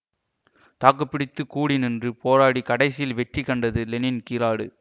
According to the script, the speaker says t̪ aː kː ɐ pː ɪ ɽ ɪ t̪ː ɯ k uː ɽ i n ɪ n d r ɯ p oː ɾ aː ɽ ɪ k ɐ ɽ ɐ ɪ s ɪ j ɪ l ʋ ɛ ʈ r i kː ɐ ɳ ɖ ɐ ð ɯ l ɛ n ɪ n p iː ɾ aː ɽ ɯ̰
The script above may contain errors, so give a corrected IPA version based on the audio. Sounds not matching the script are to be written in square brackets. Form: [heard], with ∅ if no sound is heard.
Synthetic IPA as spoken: t̪ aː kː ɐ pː ɪ ɽ ɪ t̪ː ɯ k uː ɽ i n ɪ n d r ɯ p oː ɾ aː ɽ [i] k ɐ ɽ ɐ ɪ s ɪ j ɪ l ʋ ɛ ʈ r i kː ɐ ɳ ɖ ɐ ð ɯ l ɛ n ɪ n [k] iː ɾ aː ɽ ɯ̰